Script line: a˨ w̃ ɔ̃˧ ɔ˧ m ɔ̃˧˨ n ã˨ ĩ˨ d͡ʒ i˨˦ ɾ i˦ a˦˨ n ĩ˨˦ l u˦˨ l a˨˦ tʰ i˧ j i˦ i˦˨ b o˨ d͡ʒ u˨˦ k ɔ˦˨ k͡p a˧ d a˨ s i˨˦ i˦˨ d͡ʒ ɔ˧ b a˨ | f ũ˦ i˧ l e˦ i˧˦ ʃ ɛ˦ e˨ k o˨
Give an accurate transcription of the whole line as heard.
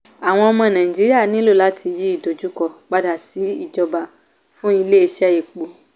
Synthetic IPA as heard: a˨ w̃ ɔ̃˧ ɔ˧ m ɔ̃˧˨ n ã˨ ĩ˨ d͡ʒ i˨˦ ɾ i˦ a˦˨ n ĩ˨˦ l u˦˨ l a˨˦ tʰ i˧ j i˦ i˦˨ d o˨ d͡ʒ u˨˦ k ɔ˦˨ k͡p a˧ d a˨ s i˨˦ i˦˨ d͡ʒ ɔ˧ b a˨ | f ũ˦ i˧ l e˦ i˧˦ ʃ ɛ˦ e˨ k͡p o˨